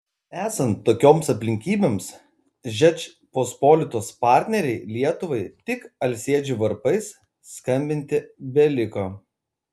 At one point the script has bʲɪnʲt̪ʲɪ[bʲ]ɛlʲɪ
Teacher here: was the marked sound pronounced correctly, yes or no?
yes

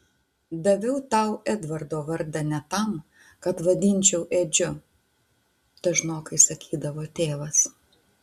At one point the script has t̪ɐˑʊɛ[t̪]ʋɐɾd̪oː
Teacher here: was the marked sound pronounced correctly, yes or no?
no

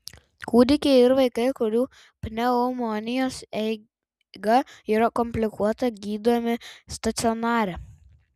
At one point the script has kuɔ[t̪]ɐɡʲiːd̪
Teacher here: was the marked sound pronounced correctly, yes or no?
yes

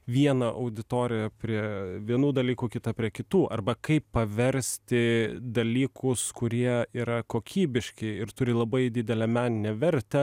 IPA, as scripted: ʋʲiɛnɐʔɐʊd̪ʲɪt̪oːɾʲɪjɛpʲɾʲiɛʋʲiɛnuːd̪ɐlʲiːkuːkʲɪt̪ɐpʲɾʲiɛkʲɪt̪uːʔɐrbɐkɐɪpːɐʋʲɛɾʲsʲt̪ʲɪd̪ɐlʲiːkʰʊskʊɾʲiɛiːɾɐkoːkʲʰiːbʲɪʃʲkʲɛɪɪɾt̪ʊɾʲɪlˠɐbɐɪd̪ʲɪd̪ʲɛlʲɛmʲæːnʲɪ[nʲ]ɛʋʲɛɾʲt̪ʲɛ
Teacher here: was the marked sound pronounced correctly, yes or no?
yes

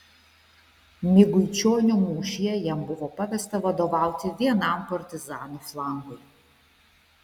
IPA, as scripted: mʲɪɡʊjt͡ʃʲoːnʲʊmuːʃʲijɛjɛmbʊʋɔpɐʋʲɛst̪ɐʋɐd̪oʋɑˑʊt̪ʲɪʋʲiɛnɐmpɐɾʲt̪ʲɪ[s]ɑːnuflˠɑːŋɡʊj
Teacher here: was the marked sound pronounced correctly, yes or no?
no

